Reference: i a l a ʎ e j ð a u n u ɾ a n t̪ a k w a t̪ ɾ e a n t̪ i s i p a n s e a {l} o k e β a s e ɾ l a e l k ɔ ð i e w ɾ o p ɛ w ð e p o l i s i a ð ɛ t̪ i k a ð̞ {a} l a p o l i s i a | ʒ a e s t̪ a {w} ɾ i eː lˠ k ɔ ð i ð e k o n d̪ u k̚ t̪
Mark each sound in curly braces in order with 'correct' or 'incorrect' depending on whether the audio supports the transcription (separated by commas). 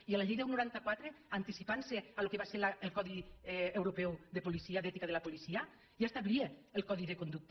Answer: correct, incorrect, incorrect